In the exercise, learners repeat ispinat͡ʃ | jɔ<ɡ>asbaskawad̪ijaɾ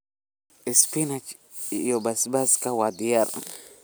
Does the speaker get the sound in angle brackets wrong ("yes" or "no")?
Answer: yes